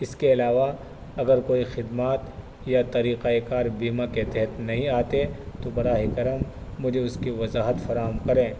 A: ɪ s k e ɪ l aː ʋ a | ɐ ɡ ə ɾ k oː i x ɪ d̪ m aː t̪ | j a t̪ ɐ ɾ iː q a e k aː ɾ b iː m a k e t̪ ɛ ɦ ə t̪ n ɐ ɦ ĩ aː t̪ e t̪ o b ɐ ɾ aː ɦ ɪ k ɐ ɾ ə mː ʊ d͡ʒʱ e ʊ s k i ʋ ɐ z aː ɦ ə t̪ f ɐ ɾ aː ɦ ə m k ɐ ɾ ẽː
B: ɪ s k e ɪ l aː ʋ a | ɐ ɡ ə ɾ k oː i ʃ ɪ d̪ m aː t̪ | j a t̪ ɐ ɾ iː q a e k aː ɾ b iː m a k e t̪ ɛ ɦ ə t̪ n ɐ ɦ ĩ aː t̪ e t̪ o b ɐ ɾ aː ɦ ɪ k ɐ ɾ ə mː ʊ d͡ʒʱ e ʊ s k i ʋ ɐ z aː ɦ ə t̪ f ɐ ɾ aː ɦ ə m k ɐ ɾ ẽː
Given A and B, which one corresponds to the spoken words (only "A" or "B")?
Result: A